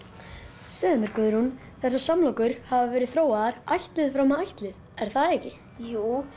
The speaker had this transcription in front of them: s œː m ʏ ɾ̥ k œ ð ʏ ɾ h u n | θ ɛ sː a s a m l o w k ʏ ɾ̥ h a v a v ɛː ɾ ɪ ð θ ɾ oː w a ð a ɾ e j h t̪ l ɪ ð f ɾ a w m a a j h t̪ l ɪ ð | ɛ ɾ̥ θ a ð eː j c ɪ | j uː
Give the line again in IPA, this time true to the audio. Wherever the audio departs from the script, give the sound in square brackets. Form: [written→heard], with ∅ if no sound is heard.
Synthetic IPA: s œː m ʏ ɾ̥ k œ ð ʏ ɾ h u n | θ ɛ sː a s a m l o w k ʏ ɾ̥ h a v a v ɛː ɾ ɪ ð θ ɾ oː w a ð a ɾ [e→a] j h t̪ l ɪ ð f ɾ a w m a a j h t̪ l ɪ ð | ɛ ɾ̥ θ a ð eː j c ɪ | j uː